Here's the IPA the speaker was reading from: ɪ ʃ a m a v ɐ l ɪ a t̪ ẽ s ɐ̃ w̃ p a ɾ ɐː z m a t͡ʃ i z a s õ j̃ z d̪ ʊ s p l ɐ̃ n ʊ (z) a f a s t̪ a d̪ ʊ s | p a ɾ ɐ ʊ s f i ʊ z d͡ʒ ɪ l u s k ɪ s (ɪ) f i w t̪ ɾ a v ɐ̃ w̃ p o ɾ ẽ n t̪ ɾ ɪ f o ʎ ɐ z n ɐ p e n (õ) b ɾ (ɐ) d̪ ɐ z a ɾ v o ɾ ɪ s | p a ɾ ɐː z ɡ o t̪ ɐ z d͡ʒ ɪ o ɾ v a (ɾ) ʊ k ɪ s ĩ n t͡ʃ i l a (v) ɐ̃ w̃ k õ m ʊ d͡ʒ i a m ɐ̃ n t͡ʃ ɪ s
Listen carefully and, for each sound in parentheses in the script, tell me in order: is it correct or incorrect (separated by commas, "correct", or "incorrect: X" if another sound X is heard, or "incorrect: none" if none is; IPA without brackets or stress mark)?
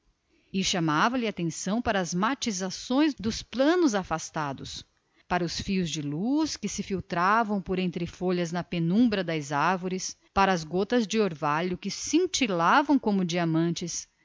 correct, correct, incorrect: ũ, correct, incorrect: ʎ, correct